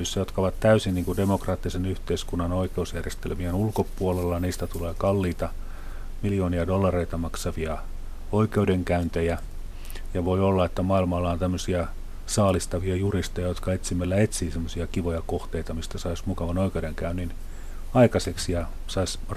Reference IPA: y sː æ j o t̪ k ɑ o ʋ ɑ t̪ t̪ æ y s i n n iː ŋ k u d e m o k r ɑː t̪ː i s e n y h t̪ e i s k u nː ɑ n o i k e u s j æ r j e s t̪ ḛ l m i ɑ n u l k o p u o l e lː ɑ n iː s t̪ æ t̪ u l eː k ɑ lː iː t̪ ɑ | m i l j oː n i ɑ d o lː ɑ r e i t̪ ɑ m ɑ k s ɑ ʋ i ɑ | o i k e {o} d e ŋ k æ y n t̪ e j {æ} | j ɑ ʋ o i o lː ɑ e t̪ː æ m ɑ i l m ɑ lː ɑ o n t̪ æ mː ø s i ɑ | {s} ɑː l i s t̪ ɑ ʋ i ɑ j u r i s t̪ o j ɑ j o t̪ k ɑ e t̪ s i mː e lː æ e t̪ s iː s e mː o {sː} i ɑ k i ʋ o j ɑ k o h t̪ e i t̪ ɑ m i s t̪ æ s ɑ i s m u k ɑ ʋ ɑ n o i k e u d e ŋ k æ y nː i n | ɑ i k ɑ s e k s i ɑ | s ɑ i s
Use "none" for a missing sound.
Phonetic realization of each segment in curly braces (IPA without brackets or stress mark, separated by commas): u, æ, s, s